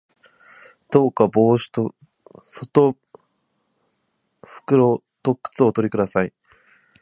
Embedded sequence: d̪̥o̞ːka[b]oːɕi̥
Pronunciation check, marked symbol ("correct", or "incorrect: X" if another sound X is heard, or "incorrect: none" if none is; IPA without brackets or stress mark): correct